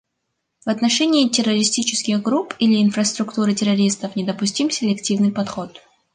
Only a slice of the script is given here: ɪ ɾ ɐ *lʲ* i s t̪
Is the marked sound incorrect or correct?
incorrect